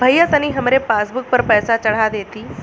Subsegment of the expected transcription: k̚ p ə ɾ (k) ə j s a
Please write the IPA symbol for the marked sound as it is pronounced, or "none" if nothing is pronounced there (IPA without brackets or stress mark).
p